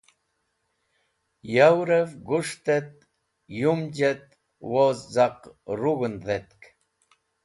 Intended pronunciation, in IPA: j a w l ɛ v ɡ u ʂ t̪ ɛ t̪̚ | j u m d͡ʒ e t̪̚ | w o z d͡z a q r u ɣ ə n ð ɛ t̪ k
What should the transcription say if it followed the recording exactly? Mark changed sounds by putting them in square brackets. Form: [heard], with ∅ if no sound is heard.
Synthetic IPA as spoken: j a w [ɾ] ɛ v ɡ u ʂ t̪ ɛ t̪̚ | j u m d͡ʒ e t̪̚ | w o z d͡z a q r u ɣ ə n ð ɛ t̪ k